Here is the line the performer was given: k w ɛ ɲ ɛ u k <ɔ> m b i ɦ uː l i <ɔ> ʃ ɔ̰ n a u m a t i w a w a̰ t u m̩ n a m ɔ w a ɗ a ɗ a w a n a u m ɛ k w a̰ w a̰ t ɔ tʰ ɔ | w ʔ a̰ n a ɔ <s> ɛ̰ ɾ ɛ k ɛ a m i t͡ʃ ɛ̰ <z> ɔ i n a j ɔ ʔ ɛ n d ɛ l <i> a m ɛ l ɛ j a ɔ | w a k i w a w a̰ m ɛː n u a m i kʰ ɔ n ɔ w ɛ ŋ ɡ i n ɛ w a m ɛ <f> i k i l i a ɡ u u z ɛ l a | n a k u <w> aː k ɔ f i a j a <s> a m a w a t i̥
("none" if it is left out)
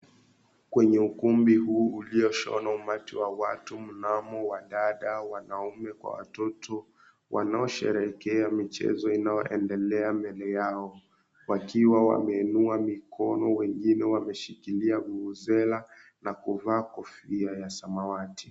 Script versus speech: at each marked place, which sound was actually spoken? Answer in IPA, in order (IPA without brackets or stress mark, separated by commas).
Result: u, ɔ, ʃ, z, ɛ, ʃ, v, s